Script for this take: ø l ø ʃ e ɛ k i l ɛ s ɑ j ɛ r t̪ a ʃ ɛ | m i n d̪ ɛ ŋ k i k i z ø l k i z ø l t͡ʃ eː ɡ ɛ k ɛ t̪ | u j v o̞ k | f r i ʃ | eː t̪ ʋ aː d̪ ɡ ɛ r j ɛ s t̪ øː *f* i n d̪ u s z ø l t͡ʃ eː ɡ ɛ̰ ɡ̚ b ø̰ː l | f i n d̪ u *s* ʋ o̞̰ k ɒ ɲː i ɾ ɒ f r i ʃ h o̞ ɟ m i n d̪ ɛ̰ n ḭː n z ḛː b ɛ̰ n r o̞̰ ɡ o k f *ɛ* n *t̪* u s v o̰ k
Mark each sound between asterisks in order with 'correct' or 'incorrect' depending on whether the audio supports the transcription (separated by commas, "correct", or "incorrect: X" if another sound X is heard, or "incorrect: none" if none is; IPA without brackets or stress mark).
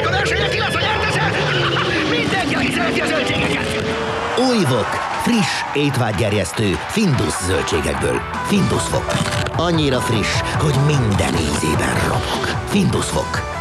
correct, correct, incorrect: i, incorrect: d̪